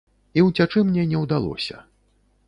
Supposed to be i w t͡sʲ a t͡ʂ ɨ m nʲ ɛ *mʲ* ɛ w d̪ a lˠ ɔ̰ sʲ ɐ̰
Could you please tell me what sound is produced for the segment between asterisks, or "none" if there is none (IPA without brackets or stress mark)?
nʲ